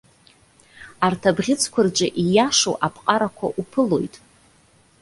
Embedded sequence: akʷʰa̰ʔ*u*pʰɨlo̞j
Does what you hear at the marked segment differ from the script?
no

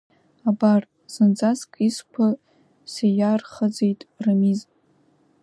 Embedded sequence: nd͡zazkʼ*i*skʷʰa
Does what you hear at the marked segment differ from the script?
no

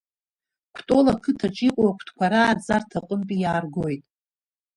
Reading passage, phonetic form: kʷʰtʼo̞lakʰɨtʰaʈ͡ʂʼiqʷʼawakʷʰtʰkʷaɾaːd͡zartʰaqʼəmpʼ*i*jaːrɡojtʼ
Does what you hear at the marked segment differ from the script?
no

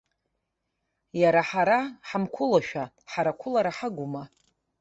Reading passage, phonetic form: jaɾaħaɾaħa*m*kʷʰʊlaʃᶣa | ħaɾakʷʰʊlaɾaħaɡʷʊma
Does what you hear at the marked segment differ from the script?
no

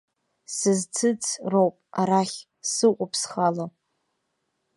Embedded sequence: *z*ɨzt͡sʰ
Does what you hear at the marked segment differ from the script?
yes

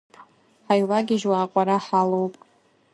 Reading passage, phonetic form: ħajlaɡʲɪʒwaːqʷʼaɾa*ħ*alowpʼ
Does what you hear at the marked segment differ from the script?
no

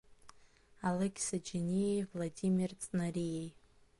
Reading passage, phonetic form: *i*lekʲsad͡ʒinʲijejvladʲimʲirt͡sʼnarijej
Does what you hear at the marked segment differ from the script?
yes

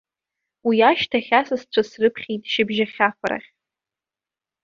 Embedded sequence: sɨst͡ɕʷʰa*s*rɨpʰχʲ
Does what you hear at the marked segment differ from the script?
no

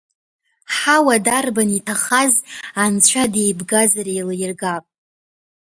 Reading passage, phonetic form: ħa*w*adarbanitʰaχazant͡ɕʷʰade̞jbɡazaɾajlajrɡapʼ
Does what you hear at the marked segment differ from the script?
no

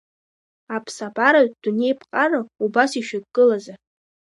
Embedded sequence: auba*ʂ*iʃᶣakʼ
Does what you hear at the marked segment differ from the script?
yes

